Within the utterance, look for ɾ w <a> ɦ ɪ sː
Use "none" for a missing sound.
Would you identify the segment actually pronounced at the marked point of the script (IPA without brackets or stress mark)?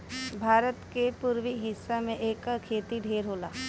i